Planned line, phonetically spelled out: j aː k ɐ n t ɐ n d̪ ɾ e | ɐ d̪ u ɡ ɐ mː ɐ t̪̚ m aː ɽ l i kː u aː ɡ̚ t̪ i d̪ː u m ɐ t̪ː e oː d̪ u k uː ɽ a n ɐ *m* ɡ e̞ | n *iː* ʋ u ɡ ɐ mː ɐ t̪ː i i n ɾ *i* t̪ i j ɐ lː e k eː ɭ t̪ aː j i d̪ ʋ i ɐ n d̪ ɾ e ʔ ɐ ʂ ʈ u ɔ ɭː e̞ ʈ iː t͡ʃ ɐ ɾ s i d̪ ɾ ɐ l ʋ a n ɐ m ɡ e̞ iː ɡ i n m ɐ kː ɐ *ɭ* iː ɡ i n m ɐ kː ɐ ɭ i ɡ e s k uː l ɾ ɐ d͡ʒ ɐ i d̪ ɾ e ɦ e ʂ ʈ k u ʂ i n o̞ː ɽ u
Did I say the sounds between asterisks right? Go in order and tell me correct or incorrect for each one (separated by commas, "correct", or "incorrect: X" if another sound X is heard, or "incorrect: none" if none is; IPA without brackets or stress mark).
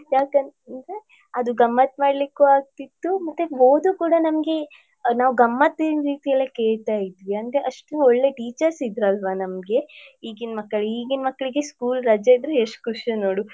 correct, incorrect: aː, incorrect: iː, correct